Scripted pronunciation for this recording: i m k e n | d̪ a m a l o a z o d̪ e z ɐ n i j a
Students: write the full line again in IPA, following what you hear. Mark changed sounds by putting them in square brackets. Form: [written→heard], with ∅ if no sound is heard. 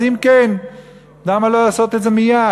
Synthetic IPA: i m k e n | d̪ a m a l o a [z→s] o [d̪→t̪] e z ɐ [n→m] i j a